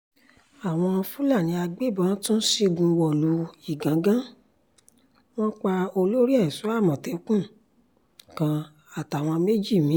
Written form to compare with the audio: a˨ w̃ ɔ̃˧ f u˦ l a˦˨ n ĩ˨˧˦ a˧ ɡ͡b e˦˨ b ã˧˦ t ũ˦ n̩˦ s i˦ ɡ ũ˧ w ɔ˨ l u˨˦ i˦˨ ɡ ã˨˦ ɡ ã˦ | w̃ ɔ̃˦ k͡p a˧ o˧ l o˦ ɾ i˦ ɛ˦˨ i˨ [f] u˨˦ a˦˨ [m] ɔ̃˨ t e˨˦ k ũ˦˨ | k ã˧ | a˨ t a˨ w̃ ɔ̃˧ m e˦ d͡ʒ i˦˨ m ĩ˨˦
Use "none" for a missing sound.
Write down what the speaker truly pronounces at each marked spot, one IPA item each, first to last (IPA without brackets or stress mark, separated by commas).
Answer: s, m